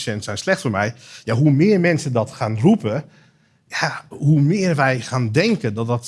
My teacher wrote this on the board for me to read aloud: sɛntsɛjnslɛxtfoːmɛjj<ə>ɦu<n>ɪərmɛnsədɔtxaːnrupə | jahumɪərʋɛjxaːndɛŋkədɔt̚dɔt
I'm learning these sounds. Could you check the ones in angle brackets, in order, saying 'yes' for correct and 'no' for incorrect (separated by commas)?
no, no